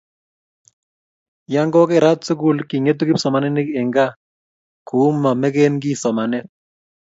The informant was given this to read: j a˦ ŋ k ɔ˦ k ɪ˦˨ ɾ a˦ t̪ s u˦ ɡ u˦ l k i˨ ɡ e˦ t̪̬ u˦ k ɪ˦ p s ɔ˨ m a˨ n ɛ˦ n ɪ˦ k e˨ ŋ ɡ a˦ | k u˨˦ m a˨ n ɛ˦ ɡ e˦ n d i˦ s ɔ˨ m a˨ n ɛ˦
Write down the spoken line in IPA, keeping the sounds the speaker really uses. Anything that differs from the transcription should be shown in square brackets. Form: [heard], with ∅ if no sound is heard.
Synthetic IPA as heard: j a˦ ŋ [ɡ] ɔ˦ k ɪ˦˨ ɾ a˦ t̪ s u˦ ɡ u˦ l k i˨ [ŋ] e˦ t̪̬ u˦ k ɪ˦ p s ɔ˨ m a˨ n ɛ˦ n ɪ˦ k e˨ ŋ ɡ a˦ | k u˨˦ m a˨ [m] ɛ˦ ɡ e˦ n [ɡ] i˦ s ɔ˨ m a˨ n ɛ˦